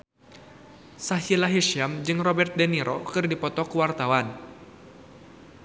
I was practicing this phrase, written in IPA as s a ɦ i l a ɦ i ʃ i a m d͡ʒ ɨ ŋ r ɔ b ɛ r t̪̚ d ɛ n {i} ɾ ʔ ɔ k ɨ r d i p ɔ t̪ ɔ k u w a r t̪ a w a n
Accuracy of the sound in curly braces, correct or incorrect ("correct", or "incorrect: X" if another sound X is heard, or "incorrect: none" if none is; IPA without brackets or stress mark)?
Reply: correct